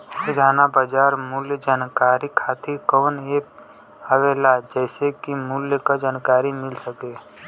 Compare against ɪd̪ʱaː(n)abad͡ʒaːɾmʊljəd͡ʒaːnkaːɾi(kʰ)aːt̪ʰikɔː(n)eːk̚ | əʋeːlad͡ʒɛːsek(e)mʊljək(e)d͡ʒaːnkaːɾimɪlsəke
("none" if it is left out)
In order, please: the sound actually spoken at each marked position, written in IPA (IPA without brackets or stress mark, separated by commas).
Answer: n, kʰ, n, i, a